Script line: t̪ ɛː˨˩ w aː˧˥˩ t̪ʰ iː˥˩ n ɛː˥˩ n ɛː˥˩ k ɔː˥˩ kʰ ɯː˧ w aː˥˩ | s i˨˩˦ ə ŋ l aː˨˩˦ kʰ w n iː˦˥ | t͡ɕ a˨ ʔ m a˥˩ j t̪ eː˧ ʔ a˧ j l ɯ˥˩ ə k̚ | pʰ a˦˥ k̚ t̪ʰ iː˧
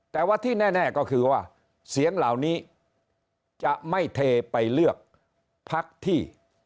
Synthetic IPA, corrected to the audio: t̪ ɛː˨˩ w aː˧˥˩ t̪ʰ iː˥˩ n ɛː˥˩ n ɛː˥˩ k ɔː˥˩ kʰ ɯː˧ w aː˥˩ | s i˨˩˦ ə ŋ l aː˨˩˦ w n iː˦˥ | t͡ɕ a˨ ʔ m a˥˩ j t̪ʰ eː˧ p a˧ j l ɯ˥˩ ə k̚ | pʰ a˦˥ k̚ t̪ʰ iː˥˩